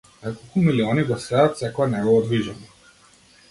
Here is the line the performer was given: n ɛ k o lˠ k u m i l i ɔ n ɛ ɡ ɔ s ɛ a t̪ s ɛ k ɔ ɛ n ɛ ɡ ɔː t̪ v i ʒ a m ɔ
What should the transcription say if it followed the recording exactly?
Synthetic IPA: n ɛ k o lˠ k u m i l i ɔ n i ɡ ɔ s ɛ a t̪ s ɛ k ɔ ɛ n ɛ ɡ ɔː d̪ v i ʒ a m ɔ